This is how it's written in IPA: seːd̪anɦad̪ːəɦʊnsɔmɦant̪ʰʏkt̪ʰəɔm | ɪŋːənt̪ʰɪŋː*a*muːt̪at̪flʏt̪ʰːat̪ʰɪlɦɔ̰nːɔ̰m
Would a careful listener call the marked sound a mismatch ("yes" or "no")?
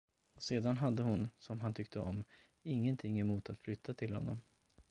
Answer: yes